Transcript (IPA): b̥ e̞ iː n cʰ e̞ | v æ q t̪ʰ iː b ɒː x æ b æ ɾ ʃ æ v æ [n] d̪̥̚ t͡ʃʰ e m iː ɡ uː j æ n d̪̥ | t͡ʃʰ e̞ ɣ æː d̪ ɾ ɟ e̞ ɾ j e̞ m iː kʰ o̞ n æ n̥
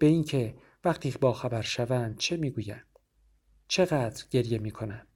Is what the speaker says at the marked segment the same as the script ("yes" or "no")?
yes